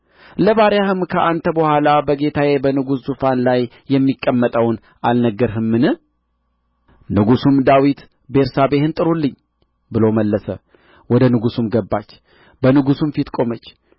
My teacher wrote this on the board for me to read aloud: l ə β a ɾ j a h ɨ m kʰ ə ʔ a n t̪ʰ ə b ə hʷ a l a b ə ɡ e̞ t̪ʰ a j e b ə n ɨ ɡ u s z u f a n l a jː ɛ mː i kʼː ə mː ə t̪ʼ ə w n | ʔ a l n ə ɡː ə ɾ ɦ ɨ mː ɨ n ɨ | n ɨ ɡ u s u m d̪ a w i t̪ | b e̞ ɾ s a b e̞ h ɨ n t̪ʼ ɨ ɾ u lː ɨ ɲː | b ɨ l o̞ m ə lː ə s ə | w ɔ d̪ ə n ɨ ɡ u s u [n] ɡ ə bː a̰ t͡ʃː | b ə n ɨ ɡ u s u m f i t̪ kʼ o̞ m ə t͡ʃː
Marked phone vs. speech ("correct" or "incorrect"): incorrect